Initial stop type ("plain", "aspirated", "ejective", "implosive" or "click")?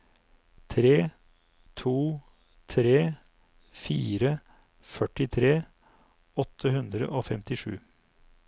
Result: aspirated